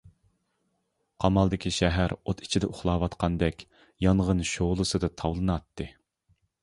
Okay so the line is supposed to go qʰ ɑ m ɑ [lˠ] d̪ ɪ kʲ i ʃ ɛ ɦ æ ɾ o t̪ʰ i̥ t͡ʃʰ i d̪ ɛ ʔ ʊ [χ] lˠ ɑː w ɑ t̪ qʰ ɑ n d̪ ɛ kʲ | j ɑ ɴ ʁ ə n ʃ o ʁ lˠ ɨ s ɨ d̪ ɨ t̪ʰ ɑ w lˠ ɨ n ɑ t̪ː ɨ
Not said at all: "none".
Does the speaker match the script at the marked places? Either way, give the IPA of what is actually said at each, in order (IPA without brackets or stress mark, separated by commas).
lˠ, χ